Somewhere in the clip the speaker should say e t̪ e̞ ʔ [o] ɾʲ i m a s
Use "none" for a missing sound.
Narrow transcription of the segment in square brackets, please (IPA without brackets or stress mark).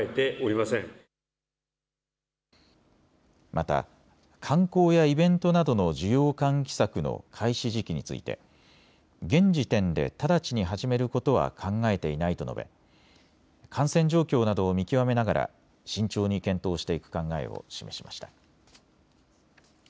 o